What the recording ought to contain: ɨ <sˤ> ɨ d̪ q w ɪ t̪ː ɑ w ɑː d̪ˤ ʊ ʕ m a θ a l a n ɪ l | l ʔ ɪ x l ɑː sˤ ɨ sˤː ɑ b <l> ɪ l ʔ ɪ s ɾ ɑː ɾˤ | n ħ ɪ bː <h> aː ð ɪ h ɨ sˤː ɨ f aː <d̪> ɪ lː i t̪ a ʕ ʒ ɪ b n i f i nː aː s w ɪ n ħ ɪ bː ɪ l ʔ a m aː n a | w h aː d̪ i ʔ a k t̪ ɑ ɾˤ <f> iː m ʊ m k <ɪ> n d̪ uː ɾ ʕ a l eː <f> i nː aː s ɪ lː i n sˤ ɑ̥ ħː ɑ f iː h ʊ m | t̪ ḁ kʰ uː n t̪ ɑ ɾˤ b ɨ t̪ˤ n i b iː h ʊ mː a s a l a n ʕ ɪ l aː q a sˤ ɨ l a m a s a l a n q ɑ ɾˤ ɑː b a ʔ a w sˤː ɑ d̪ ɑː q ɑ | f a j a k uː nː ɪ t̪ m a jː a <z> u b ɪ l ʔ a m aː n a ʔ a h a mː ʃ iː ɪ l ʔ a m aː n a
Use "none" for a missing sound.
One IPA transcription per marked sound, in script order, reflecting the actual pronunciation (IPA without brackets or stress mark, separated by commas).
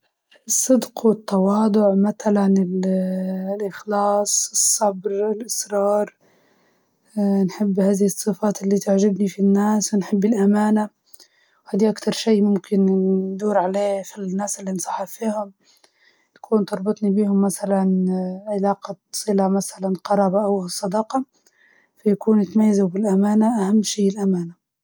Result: sˤː, ɾ, h, t̪, ʃ, ɪ, f, z